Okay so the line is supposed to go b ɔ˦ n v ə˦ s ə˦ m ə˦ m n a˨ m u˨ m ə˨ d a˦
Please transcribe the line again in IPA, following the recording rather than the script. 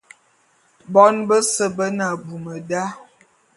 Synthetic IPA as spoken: b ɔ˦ n b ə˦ s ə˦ b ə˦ n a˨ b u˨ m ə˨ d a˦